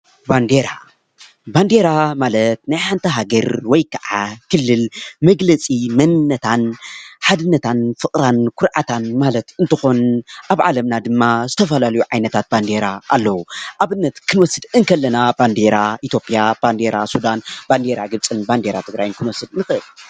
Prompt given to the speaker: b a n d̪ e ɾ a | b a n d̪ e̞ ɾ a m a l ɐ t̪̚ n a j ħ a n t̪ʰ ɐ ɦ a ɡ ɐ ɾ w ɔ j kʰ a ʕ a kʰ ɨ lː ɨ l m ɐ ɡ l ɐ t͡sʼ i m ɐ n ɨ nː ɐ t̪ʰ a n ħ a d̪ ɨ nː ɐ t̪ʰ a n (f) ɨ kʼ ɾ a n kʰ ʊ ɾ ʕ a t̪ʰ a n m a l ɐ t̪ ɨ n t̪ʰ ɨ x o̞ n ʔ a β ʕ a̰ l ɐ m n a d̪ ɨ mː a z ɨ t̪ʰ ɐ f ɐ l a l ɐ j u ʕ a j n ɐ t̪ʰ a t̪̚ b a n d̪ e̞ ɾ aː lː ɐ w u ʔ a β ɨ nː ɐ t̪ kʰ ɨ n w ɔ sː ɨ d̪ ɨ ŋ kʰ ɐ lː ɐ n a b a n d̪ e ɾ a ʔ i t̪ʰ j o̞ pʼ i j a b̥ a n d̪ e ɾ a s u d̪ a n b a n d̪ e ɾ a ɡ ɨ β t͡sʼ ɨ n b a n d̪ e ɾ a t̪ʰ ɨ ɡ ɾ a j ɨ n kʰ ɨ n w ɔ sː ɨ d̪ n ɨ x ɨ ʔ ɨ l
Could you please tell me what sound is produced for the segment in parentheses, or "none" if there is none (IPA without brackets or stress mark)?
f